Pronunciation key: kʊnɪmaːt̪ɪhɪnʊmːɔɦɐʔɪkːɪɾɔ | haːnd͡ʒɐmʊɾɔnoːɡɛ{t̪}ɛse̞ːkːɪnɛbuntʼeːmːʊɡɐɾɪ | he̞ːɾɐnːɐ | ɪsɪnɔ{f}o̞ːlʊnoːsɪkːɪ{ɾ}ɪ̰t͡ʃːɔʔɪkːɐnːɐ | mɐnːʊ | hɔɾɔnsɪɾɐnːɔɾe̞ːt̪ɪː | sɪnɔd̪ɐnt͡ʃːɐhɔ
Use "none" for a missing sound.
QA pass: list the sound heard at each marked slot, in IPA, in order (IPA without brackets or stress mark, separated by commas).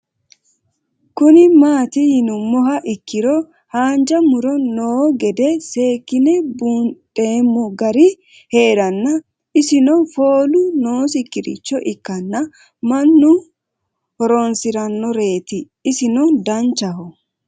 d̪, f, ɾ